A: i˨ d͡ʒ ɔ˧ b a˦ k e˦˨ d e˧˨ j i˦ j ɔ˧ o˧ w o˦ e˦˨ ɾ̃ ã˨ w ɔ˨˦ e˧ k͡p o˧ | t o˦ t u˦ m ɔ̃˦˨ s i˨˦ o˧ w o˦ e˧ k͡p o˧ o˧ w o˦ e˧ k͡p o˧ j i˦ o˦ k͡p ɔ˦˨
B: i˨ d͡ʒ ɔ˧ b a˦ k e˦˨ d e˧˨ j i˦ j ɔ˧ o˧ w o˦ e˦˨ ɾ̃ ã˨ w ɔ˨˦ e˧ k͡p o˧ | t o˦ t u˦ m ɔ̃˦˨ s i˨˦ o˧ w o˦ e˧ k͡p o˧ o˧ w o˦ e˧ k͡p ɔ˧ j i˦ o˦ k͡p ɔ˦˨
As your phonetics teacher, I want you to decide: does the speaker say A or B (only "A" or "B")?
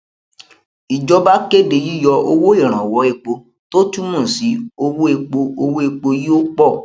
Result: A